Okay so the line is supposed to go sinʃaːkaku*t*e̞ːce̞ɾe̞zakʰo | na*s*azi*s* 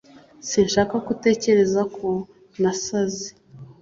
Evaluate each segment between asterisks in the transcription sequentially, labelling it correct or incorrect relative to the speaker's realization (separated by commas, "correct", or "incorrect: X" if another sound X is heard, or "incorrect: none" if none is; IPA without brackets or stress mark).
correct, correct, incorrect: none